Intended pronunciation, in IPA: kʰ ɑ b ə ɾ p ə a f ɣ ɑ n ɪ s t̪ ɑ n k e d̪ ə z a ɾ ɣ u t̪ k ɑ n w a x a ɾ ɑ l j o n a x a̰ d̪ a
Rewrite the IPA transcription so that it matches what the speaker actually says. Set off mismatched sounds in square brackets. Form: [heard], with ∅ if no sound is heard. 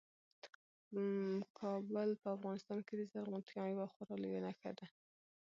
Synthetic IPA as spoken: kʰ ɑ b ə [l] p ə a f ɣ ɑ n ɪ s t̪ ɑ n k e d̪ ə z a ɾ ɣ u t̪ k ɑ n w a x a ɾ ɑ l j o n a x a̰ d̪ a